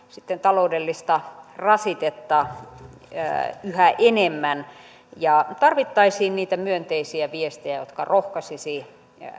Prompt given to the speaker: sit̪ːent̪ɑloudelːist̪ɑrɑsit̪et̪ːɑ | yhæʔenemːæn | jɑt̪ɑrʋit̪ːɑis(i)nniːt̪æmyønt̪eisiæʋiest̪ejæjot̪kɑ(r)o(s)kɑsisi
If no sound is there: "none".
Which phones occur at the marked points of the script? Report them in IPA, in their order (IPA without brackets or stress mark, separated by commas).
iː, r, h